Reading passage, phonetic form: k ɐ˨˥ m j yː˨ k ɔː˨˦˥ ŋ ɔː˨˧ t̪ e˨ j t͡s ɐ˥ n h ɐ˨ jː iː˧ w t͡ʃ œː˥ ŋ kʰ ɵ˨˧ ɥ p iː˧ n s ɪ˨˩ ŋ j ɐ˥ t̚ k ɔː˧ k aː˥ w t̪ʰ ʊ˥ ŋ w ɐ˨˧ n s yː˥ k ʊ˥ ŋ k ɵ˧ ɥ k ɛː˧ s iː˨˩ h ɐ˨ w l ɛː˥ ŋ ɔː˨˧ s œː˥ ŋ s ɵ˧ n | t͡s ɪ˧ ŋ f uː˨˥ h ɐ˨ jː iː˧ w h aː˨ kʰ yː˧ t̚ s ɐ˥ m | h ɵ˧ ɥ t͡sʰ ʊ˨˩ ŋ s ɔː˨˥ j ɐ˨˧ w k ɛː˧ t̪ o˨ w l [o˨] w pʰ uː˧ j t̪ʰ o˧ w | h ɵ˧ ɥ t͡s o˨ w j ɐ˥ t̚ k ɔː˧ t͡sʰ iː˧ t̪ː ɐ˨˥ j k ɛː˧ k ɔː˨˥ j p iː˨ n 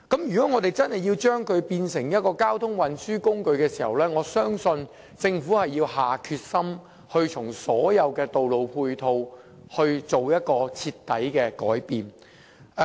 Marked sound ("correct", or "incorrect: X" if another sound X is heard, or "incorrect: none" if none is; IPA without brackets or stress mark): correct